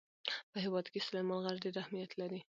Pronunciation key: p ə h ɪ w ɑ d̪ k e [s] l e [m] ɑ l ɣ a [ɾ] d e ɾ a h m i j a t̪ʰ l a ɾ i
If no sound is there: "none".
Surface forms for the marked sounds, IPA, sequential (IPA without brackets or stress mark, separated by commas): s, m, ɾ